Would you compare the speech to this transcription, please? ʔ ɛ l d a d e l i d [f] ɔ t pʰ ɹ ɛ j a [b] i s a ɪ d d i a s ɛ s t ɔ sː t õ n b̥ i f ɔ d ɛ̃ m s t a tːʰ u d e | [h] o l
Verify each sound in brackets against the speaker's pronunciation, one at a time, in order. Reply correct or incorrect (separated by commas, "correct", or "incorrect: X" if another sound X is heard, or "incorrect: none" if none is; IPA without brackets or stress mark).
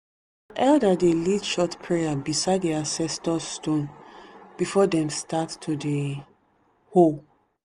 incorrect: ʃ, correct, correct